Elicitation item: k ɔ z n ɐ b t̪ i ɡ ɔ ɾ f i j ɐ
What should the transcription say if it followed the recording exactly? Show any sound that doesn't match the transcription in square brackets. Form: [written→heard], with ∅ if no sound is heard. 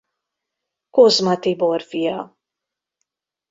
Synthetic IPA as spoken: k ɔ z [n→m] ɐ [b→∅] t̪ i [ɡ→b] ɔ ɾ f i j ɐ